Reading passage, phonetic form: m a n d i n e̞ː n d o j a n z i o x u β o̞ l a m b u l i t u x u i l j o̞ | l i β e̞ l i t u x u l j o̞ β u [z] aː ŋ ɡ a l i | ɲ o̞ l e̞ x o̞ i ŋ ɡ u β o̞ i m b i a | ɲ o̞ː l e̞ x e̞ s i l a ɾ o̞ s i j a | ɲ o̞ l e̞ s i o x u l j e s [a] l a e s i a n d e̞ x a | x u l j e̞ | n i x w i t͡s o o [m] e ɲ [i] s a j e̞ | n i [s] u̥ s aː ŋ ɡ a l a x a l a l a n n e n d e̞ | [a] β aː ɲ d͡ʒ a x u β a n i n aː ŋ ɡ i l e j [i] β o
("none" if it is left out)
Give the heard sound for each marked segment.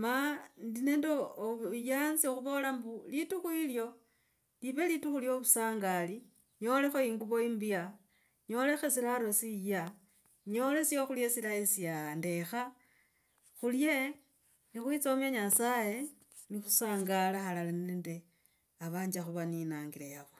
s, i, m, a, x, a, a

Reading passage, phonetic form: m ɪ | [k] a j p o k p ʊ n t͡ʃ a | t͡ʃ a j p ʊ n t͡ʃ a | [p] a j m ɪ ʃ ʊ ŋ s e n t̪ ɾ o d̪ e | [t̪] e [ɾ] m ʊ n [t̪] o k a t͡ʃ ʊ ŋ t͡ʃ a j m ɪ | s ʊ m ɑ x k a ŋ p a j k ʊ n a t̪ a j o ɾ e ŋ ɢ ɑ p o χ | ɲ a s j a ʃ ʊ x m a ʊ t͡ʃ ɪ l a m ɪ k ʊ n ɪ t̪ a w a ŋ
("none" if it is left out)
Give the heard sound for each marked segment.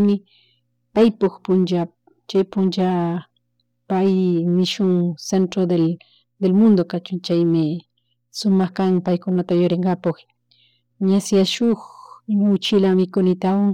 p, p, d̪, l, d̪

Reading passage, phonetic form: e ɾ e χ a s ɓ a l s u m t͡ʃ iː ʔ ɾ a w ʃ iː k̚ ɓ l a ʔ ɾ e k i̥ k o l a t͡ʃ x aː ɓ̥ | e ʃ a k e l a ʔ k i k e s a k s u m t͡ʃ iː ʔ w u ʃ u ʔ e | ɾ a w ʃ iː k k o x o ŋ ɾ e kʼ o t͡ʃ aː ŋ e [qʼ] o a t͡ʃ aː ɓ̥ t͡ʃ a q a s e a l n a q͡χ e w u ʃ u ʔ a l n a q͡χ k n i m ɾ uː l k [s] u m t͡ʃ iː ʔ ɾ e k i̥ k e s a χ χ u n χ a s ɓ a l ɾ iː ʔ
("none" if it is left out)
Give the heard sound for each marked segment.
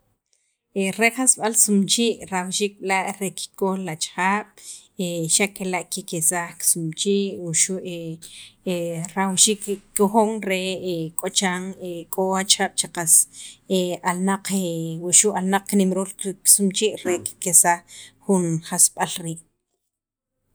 kʼ, s

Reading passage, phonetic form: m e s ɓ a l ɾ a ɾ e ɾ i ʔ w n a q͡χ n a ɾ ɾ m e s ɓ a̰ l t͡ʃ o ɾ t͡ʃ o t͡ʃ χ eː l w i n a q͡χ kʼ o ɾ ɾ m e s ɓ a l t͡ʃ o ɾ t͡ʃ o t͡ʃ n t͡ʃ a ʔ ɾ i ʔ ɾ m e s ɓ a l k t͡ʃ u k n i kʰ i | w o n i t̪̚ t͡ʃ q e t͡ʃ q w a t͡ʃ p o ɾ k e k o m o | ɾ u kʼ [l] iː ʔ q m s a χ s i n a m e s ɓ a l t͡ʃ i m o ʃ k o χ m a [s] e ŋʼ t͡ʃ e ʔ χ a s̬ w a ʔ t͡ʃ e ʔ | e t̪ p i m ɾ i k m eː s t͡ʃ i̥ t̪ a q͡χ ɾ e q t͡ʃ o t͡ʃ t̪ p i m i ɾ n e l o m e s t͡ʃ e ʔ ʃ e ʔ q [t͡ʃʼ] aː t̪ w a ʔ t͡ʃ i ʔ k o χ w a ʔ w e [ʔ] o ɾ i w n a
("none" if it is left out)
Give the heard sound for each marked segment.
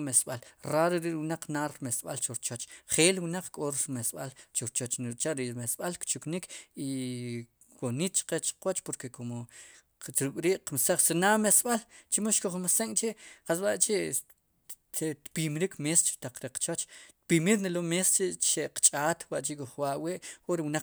ɾ, s, t͡ʃʼ, ʔ

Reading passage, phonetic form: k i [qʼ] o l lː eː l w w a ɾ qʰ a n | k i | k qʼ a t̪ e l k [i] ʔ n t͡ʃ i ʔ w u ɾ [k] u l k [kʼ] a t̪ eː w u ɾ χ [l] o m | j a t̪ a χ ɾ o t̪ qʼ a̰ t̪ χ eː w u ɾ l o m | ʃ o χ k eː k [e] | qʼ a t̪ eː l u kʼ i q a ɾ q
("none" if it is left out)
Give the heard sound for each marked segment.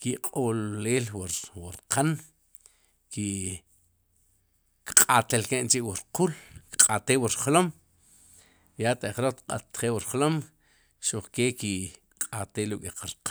qʼ, e, q, qʼ, l, i

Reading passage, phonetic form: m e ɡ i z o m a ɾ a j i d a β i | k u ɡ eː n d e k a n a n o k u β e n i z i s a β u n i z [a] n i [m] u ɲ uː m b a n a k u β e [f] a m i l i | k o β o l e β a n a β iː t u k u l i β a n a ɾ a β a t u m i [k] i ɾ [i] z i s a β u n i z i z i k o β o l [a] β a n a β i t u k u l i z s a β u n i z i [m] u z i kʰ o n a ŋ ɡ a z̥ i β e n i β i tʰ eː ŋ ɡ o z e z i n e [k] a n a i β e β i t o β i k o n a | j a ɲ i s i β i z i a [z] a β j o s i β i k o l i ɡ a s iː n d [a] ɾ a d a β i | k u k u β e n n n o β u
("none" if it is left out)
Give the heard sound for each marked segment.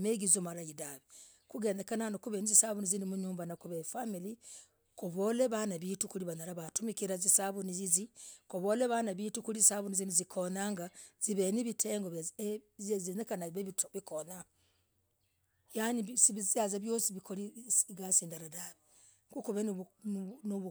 i, m, f, k, a, e, n, k, z, a

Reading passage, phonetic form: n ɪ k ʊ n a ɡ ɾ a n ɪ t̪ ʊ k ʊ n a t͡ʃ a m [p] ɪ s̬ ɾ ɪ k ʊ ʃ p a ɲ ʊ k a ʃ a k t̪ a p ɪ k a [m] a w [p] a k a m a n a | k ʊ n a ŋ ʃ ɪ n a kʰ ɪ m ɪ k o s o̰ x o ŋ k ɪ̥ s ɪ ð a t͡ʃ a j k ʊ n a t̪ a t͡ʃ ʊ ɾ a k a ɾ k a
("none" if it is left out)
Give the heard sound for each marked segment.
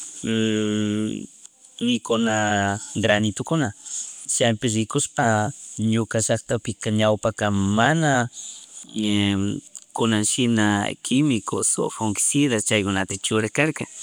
p, ɲ, p

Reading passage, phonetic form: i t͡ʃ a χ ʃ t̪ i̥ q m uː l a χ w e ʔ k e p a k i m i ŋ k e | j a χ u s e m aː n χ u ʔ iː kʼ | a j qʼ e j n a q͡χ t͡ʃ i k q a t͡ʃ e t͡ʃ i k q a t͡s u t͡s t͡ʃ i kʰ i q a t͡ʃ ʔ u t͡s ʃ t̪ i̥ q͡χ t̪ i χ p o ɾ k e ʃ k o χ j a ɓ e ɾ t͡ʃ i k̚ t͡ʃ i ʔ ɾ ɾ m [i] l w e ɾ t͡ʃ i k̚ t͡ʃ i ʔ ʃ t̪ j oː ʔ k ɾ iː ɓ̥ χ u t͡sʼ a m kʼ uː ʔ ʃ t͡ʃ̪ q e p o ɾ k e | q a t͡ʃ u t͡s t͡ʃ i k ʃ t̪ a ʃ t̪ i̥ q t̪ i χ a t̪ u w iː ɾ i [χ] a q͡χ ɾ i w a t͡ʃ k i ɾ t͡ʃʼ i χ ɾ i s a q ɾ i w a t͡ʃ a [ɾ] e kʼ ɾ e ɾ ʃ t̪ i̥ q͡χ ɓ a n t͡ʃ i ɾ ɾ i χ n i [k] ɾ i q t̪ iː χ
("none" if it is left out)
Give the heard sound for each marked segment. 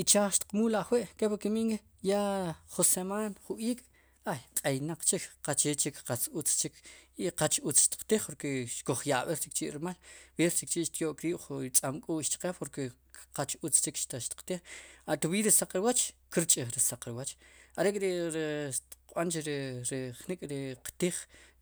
a, s, ɾ, kʼ

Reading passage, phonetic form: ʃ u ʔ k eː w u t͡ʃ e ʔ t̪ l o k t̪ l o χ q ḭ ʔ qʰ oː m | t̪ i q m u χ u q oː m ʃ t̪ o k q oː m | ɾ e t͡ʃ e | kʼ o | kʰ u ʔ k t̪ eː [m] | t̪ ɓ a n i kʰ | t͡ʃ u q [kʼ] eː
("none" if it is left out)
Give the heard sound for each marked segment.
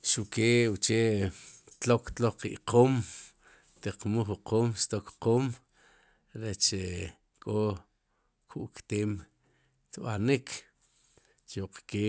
m, k

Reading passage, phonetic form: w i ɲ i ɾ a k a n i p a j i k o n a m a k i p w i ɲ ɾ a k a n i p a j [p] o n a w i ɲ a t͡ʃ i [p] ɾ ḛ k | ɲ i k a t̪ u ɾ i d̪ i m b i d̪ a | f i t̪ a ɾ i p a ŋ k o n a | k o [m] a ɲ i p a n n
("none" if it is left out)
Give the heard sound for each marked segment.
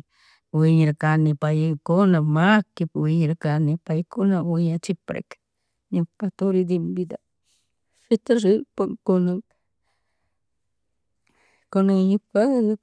k, p, n

